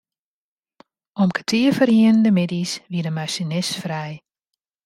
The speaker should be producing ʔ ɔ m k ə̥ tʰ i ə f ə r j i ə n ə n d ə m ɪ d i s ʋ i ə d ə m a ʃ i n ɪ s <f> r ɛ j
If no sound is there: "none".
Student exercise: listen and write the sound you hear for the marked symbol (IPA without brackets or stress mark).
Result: f